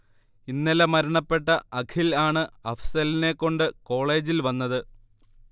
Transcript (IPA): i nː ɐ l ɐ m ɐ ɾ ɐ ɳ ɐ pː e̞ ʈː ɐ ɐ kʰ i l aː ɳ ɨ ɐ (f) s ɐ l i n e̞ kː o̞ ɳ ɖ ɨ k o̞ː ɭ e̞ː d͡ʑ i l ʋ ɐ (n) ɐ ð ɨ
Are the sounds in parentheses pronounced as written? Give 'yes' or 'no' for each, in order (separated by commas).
yes, no